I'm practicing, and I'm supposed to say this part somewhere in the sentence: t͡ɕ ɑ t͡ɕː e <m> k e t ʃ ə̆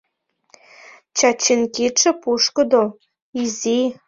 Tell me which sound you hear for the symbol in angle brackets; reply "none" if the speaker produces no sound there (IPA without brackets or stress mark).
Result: n